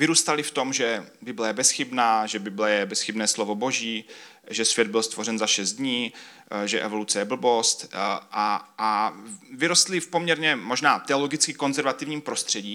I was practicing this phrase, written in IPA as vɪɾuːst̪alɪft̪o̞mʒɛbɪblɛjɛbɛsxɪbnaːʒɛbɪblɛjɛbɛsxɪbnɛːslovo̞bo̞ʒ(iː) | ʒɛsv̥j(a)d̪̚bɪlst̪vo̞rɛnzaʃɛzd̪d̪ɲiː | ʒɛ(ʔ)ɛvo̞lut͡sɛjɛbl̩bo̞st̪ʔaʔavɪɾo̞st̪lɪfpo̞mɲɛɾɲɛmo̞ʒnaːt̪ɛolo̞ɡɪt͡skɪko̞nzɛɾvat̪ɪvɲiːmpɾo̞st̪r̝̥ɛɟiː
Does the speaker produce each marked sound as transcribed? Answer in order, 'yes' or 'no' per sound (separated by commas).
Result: yes, no, yes